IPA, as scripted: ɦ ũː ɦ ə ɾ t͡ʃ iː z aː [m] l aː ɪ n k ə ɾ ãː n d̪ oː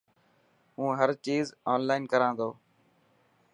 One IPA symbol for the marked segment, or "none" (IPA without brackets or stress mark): n